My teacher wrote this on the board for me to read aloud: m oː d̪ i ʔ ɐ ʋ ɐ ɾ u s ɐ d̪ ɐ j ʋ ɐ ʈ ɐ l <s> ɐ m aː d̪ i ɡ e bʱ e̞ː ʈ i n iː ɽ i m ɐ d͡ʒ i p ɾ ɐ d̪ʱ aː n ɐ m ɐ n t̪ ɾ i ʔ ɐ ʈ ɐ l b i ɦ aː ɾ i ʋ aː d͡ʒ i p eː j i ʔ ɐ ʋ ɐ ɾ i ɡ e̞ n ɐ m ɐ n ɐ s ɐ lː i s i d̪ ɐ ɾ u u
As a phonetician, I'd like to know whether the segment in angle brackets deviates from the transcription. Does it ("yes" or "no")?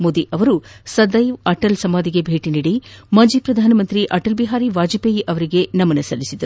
no